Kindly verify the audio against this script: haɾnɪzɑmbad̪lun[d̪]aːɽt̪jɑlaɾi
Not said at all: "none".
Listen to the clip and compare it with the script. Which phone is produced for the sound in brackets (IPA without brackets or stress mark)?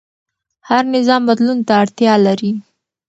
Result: t̪